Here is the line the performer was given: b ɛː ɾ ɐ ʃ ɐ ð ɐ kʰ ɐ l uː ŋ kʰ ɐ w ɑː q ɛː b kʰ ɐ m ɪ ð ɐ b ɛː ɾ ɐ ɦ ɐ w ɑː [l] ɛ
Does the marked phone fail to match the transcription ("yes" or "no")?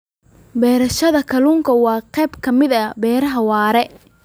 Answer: yes